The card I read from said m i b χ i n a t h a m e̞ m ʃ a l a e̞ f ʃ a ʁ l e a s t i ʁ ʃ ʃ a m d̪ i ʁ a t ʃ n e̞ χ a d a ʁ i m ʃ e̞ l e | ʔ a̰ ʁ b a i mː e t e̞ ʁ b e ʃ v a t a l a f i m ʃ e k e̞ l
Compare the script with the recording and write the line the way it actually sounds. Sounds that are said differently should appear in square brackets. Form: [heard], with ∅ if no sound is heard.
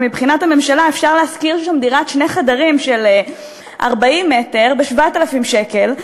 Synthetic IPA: m i b χ i n a t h a m e̞ m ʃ a l a e̞ f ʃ a ʁ l e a s [k] i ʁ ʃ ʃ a m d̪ i ʁ a t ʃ n e̞ χ a d a ʁ i m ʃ e̞ l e | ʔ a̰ ʁ b a i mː e t e̞ ʁ b e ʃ v a t a l a f i m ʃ e k e̞ l